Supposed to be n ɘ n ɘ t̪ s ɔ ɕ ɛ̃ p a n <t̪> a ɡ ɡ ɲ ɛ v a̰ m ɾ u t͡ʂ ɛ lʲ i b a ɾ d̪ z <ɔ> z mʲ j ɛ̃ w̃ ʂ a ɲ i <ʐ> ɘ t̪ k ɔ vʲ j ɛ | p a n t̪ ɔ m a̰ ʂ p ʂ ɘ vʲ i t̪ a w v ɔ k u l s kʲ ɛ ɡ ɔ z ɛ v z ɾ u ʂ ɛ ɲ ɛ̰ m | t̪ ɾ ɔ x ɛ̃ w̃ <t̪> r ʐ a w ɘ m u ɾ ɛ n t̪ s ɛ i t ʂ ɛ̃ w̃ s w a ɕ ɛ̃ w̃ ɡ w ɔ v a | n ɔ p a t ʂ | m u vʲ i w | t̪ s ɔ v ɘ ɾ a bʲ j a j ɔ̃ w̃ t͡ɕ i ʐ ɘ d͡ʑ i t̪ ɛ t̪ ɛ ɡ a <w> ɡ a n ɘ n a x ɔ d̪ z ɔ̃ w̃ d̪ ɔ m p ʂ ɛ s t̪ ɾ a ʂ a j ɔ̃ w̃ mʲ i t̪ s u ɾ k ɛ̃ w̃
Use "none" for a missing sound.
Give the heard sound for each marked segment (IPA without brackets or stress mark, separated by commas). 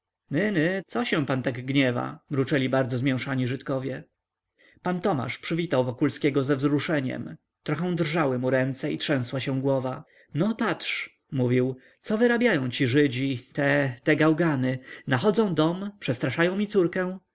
t̪, ɔ, ʐ, d̪, w